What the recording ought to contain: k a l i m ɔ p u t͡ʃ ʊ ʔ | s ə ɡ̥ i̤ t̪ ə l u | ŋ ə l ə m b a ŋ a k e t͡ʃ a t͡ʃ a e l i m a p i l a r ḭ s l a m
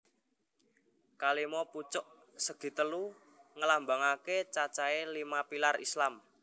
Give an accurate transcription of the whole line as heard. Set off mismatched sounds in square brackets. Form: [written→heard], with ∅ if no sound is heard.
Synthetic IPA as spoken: k a l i m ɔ p u t͡ʃ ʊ ʔ | s ə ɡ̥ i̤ t̪ ə l u | ŋ ə l [ə→a] m b a ŋ a k e t͡ʃ a t͡ʃ a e l i m a p i l a r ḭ s l a m